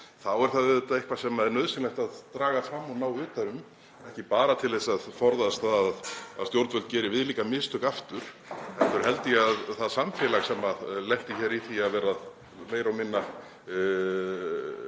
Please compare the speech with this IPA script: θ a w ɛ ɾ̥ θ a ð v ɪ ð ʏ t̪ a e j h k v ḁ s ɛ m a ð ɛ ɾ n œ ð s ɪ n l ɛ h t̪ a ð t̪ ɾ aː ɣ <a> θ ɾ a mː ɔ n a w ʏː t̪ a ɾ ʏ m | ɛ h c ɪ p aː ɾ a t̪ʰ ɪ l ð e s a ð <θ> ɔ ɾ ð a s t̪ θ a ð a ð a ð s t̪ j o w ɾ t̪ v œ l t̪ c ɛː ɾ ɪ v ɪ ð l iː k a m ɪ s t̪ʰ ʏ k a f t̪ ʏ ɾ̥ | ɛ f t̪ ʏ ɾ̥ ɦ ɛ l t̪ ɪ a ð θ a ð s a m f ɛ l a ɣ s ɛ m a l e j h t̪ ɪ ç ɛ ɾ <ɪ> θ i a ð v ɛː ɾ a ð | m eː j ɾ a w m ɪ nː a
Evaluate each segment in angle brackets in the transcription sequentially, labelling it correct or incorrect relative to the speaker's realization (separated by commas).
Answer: correct, incorrect, incorrect